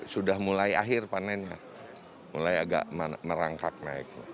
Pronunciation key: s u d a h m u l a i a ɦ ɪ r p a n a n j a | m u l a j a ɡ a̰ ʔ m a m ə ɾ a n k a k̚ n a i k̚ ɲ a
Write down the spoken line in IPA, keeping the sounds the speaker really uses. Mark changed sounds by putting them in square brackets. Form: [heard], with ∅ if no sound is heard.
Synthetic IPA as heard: s u d a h m u l a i a ɦ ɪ r p a n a n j a | m u l a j a ɡ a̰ ʔ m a m ə ɾ a [ŋ] k a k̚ n a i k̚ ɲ a